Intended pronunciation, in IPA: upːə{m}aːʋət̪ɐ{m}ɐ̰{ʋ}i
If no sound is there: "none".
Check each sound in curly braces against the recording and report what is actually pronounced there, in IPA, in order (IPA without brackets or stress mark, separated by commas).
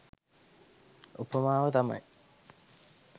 m, m, none